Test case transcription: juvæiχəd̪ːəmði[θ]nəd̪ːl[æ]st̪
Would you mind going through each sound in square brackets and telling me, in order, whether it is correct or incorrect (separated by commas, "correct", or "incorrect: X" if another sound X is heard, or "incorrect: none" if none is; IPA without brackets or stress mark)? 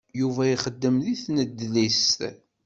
correct, incorrect: i